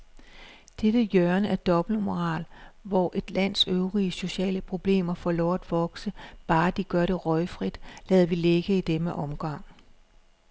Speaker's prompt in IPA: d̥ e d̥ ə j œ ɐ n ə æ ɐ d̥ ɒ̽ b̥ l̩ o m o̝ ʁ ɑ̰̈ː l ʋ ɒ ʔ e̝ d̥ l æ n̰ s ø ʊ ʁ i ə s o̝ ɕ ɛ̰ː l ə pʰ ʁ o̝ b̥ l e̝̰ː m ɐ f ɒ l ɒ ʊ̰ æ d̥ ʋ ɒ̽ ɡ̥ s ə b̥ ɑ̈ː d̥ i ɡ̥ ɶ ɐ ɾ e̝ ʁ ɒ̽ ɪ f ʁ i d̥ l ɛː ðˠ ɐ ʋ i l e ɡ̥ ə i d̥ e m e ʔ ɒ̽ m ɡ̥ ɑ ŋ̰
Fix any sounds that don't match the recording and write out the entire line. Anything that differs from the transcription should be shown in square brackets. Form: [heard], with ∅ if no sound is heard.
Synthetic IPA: d̥ e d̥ ə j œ ɐ n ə æ ɐ d̥ ɒ̽ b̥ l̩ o m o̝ ʁ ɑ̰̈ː l ʋ ɒ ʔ e̝ d̥ l æ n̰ s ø ʊ ʁ i ə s o̝ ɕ ɛ̰ː l ə pʰ ʁ o̝ b̥ l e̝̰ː m ɐ f ɒ l ɒ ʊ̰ æ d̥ ʋ ɒ̽ ɡ̥ s ə b̥ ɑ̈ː d̥ i ɡ̥ ɶ ɐ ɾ e̝ ʁ ɒ̽ ɪ f ʁ i d̥ l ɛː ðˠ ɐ ʋ i l e ɡ̥ ə i d̥ e m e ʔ ɒ̽ m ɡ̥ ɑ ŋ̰